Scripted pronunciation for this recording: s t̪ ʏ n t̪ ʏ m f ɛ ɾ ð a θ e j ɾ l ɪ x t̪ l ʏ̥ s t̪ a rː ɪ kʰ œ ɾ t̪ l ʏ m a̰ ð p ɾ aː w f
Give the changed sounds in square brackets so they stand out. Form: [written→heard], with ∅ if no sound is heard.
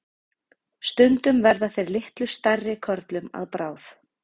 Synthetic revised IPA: s t̪ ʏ n t̪ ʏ m [f→v] ɛ ɾ ð a θ e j ɾ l ɪ [x→h] t̪ l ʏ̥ s t̪ a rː ɪ kʰ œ ɾ t̪ l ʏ m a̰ ð p ɾ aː w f